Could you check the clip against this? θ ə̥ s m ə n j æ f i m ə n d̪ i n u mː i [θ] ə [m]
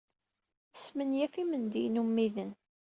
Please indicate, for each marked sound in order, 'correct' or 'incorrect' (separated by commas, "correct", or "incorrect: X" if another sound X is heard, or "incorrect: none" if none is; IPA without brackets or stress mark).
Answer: incorrect: ð, incorrect: n